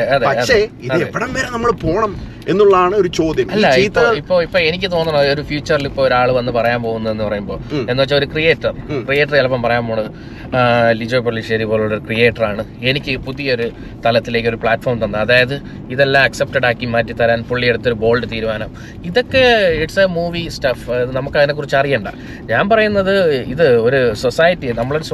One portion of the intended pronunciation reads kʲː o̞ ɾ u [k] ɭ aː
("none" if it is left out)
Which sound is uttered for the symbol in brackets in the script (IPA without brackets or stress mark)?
p